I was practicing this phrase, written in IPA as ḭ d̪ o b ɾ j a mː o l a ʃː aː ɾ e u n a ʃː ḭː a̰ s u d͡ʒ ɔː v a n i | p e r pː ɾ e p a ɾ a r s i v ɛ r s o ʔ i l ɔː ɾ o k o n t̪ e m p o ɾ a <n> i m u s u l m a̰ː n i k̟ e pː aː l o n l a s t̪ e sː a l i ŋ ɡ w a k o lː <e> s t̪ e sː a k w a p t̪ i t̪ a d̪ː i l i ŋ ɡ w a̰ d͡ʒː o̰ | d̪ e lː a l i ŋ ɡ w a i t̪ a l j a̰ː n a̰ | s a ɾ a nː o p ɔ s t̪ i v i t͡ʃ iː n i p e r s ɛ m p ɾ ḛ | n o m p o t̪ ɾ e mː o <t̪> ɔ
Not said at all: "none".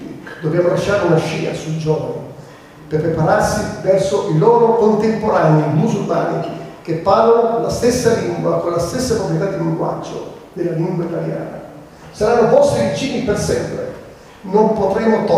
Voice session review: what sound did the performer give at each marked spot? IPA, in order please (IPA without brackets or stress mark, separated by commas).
n, a, t̪